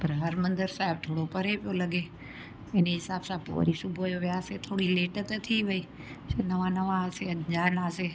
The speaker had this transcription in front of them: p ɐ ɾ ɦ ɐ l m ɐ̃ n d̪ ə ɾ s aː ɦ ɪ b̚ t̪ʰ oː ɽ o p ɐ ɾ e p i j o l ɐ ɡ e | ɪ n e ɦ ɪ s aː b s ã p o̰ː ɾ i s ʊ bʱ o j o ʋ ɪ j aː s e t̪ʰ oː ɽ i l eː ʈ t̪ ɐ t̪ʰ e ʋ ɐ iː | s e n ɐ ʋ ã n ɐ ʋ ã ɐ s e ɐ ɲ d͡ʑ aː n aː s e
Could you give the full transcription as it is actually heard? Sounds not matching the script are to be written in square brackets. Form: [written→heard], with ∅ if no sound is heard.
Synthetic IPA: p ɐ ɾ ɦ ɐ [l→ɾ] m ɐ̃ n d̪ ə ɾ s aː ɦ ɪ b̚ t̪ʰ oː ɽ o p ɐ ɾ e p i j o l ɐ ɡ e | ɪ n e ɦ ɪ s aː b s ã p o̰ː ɾ i s ʊ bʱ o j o ʋ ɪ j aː s e t̪ʰ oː ɽ i l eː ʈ t̪ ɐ t̪ʰ [e→i] ʋ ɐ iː | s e n ɐ ʋ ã n ɐ ʋ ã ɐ s e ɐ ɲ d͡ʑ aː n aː s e